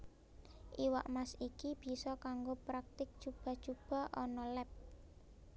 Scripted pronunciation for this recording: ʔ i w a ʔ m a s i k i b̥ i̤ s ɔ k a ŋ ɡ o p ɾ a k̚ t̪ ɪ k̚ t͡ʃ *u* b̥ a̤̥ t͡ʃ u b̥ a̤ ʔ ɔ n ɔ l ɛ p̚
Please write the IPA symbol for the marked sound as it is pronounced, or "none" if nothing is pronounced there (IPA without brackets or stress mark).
u